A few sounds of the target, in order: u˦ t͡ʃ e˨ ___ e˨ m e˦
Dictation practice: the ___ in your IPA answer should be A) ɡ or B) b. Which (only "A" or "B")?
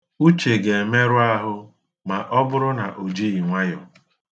A